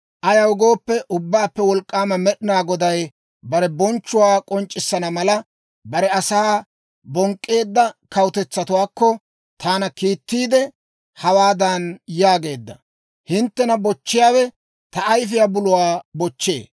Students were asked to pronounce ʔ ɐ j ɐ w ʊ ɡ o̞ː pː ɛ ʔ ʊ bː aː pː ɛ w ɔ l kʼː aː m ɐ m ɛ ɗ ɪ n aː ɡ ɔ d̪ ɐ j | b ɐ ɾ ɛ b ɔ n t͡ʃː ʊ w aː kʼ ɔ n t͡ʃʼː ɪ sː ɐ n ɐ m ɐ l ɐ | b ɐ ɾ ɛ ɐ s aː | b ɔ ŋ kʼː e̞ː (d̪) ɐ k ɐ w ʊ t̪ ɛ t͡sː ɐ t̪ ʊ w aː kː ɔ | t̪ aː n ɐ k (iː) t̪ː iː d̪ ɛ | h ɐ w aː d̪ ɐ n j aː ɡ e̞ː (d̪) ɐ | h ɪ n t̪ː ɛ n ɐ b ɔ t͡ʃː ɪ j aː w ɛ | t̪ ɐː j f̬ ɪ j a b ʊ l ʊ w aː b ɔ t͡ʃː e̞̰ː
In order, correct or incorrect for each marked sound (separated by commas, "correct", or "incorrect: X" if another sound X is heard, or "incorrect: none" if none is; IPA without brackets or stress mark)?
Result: incorrect: d̪ː, correct, incorrect: d̪ː